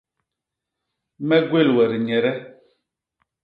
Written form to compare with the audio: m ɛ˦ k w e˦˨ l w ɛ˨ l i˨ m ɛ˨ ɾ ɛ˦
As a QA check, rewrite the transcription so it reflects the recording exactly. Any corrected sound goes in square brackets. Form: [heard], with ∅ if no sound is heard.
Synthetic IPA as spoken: m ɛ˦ [ɡ] w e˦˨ l w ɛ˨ [ɾ] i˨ [ɲ] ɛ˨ ɾ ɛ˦